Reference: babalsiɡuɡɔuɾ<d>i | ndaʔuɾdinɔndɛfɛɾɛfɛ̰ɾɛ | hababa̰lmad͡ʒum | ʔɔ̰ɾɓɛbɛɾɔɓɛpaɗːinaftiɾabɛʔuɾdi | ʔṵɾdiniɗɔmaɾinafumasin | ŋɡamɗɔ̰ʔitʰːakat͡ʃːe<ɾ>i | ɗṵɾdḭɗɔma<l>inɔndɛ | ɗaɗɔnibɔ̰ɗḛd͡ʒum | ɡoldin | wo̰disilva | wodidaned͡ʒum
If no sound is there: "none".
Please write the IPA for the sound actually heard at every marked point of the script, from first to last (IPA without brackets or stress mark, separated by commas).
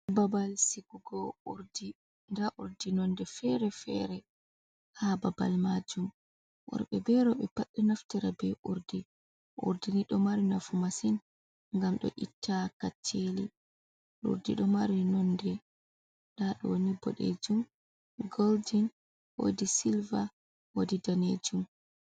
d, l, ɾ